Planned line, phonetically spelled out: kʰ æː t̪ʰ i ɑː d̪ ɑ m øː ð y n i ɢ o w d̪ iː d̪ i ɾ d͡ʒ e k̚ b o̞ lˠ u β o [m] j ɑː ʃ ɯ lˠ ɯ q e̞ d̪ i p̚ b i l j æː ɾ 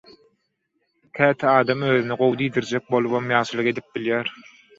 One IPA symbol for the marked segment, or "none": m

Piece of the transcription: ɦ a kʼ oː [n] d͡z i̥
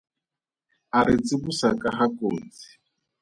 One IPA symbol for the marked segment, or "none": n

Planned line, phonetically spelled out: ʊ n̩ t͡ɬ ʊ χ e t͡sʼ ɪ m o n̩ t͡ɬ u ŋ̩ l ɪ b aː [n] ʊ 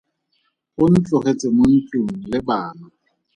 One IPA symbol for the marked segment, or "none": n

